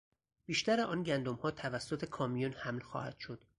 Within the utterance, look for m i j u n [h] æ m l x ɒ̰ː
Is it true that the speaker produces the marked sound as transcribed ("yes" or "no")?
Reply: yes